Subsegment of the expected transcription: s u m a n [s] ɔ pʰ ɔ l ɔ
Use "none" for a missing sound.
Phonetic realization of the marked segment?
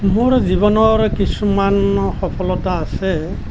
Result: x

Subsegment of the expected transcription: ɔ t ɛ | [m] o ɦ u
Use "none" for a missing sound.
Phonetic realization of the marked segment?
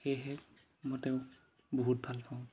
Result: b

